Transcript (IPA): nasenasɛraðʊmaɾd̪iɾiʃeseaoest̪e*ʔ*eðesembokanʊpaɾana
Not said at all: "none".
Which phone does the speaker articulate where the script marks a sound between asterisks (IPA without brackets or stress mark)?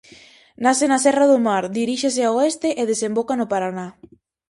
ʔ